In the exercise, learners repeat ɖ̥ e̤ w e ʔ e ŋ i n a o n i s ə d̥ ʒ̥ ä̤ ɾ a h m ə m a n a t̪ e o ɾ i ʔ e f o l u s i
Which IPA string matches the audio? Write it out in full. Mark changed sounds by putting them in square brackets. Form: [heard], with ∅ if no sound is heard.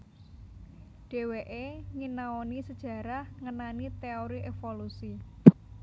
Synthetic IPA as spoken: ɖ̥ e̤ w e ʔ e ŋ i n a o n i s ə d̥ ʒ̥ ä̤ ɾ a h [ŋ] ə [n] a n [i] t̪ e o ɾ i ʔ e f o l u s i